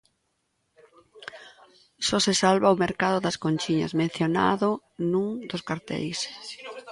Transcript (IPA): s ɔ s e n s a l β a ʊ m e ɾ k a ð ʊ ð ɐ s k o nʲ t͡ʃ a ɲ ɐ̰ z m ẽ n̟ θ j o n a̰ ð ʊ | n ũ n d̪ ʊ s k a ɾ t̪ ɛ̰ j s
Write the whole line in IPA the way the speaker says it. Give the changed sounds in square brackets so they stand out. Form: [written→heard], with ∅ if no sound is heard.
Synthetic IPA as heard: s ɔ s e [n→∅] s a l β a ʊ m e ɾ k a ð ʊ ð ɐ s k o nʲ t͡ʃ [a→i] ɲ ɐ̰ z m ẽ n̟ θ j o n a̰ ð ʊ | n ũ [n→ŋ] d̪ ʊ s k a ɾ t̪ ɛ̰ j s